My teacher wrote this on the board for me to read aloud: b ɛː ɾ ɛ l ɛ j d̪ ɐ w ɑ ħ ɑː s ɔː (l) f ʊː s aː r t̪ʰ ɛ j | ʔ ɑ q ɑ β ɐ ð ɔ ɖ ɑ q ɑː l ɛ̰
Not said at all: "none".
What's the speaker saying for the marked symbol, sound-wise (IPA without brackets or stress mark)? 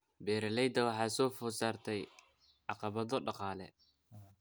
none